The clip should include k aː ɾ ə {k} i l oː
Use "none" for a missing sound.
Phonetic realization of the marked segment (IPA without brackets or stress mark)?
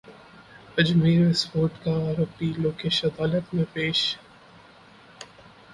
p